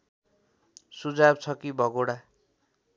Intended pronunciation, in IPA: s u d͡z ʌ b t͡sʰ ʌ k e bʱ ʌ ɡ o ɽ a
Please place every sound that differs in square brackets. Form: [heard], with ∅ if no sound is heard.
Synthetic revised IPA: s u d͡z [a] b t͡sʰ ʌ k [i] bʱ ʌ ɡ o ɽ a